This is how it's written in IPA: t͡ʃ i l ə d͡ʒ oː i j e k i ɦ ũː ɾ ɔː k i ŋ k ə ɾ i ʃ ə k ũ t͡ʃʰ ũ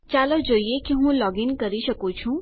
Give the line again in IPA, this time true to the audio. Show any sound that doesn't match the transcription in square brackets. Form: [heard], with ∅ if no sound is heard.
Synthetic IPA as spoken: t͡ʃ [a] l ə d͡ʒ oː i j e k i ɦ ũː [l] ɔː [ɡ] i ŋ k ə ɾ i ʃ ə k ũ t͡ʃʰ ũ